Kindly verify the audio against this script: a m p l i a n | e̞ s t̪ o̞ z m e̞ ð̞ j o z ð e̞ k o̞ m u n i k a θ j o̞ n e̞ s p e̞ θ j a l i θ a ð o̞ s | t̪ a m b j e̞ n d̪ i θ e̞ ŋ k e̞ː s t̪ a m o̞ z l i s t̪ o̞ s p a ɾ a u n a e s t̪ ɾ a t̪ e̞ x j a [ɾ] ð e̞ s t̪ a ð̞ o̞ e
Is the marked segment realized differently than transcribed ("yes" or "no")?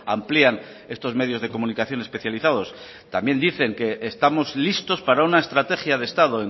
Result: yes